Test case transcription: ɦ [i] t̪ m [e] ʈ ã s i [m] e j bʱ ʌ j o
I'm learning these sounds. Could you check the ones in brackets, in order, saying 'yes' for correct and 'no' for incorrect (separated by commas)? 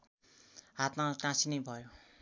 no, no, no